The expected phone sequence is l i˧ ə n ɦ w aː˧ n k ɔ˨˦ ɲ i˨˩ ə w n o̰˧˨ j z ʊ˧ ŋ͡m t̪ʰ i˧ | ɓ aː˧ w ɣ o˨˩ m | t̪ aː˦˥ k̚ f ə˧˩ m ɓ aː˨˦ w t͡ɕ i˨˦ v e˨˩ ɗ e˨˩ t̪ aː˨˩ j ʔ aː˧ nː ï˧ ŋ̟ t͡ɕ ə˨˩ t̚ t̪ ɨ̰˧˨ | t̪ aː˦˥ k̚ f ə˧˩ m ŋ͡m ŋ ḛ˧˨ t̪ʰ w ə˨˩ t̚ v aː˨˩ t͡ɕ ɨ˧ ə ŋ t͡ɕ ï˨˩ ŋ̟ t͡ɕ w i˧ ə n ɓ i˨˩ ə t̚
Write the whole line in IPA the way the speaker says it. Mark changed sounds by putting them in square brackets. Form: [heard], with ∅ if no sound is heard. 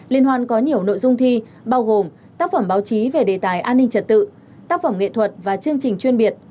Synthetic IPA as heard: l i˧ ə n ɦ w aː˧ n k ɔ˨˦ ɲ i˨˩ ə w n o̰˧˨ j z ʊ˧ ŋ͡m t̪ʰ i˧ | ɓ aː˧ w ɣ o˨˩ m | t̪ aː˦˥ k̚ f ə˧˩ m ɓ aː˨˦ w t͡ɕ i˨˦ v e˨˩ ɗ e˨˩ t̪ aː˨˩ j ʔ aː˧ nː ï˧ ŋ̟ t͡ɕ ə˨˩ t̚ t̪ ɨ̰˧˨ | t̪ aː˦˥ k̚ f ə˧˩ m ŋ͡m ŋ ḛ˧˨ t̪ʰ w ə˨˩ t̚ v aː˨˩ t͡ɕ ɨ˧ ə ŋ t͡ɕ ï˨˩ ŋ̟ t͡ɕ w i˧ ə n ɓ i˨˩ ə t̚